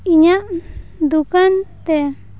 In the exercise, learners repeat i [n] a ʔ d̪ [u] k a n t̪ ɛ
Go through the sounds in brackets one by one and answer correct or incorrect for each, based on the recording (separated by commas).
incorrect, correct